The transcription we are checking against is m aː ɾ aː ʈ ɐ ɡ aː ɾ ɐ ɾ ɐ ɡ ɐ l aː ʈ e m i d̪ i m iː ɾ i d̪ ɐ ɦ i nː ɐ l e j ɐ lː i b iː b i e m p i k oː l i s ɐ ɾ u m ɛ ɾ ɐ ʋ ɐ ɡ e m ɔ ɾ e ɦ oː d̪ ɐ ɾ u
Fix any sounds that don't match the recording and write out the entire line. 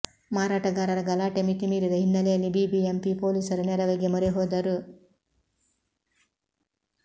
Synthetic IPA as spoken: m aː ɾ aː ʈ ɐ ɡ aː ɾ ɐ ɾ ɐ ɡ ɐ l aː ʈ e m i t̪ i m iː ɾ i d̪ ɐ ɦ i nː ɐ l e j ɐ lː i b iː b i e m p i p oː l i s ɐ ɾ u n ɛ ɾ ɐ ʋ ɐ ɡ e m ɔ ɾ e ɦ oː d̪ ɐ ɾ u